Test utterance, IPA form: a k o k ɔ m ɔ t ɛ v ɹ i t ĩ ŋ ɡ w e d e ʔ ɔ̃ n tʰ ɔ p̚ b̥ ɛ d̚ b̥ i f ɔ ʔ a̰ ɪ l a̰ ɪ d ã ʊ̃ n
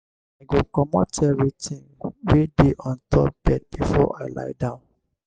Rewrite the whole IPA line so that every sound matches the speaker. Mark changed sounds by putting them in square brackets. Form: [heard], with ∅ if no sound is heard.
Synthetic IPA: a [ɡ] o k ɔ m ɔ t ɛ v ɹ i t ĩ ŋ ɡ w e d e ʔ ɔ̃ n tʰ ɔ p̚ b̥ ɛ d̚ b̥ i f ɔ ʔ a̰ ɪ l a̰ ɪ d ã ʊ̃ n